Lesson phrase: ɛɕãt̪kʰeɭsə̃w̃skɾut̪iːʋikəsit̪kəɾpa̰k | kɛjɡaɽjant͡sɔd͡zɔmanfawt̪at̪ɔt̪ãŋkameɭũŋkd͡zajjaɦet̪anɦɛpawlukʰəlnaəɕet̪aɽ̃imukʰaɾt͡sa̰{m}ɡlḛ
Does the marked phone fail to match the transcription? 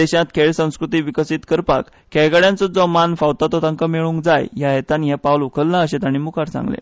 yes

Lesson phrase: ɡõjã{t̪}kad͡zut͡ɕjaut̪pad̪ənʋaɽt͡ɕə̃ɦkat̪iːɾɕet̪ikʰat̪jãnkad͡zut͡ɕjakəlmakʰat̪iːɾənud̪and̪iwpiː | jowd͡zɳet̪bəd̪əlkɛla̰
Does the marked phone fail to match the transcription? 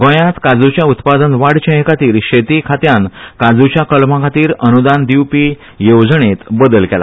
no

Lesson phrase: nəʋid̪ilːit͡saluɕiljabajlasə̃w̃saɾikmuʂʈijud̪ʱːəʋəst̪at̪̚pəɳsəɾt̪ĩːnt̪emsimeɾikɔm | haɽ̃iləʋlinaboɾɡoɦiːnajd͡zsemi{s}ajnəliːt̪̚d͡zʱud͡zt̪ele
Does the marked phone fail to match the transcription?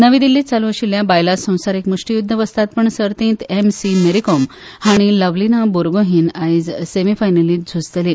yes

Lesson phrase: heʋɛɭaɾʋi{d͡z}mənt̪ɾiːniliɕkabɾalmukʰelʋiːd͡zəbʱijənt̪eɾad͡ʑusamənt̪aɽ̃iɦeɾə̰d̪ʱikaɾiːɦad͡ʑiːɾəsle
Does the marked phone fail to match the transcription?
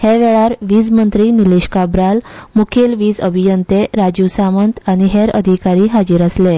no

